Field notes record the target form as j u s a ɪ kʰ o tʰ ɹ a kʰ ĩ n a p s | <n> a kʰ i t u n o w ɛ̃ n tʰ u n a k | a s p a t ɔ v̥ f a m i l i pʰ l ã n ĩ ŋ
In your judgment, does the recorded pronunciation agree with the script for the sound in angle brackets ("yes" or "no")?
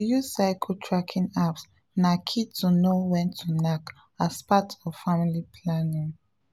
yes